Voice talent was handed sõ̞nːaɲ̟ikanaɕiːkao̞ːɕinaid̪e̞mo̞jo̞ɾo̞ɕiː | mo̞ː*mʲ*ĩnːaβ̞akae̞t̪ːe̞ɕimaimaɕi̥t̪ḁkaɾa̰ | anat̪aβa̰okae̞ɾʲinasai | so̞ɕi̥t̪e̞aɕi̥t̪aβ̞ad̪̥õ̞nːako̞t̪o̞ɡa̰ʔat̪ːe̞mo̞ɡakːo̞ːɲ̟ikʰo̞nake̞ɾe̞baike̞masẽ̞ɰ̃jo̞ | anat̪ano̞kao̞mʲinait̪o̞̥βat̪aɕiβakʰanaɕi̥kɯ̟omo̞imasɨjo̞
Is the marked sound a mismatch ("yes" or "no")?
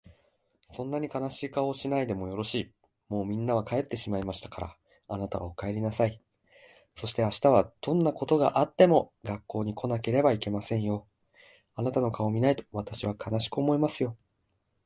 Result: no